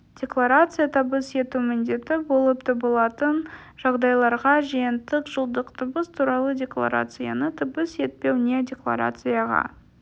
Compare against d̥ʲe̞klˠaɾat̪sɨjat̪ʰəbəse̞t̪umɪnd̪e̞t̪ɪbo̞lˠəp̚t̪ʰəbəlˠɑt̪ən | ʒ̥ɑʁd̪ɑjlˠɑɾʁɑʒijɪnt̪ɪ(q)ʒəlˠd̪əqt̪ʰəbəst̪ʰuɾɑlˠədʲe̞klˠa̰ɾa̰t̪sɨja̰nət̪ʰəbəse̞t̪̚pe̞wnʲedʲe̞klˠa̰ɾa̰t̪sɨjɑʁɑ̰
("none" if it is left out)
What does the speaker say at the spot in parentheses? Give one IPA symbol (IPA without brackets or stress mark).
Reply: q